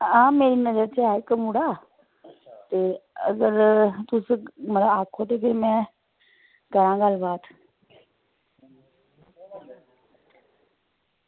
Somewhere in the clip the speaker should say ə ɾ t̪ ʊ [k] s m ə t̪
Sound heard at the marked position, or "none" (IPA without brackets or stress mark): none